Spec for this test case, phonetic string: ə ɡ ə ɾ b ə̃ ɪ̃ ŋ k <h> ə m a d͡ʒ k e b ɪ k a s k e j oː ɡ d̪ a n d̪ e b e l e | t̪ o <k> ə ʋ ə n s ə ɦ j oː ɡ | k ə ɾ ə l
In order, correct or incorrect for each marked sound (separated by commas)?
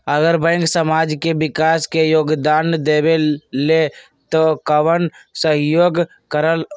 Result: incorrect, correct